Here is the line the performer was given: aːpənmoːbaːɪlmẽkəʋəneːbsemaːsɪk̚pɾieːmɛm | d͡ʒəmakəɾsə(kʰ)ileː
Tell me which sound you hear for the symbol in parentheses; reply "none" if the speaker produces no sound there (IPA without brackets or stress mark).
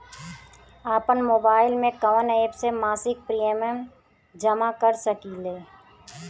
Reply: k